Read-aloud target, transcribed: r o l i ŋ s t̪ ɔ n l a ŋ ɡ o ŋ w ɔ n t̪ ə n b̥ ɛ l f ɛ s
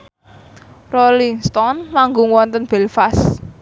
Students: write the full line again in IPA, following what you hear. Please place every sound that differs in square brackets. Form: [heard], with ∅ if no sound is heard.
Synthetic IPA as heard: r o l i ŋ s t̪ ɔ n l a ŋ ɡ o ŋ w ɔ n t̪ ə n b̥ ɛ l f [a] s